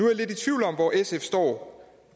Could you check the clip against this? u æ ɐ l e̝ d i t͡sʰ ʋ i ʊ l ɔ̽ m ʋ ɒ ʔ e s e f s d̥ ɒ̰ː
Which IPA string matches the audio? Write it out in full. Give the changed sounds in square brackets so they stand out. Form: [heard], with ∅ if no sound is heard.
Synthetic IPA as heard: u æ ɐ l e̝ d i t͡sʰ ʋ i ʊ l [ɒ̽] m ʋ ɒ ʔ e s e f s d̥ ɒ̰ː